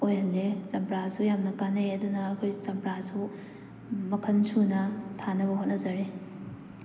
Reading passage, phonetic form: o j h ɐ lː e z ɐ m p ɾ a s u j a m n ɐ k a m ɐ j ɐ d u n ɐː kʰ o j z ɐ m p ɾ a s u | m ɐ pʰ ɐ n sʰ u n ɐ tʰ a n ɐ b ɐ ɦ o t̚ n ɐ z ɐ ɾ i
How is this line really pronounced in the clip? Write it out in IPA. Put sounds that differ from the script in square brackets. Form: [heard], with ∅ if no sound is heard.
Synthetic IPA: o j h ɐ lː e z ɐ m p ɾ a s u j a m n ɐ k a [n] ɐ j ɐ d u n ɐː kʰ o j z ɐ m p ɾ a s u | m ɐ [kʰ] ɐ n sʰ u n ɐ tʰ a n ɐ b ɐ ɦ o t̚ n ɐ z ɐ ɾ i